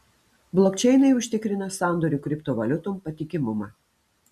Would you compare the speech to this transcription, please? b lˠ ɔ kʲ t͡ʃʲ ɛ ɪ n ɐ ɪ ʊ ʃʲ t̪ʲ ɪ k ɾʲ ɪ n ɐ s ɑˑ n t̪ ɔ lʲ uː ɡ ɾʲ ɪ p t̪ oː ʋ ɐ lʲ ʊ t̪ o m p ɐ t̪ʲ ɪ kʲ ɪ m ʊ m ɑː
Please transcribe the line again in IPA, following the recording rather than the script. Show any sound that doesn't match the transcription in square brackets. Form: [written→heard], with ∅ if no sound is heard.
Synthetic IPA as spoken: b lˠ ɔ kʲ t͡ʃʲ ɛ ɪ n ɐ ɪ ʊ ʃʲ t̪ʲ ɪ k ɾʲ ɪ n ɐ s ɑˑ n [t̪→d̪] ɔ [lʲ→ɾʲ] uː [ɡ→k] ɾʲ ɪ p t̪ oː ʋ ɐ lʲ ʊ t̪ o m p ɐ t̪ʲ ɪ kʲ ɪ m ʊ m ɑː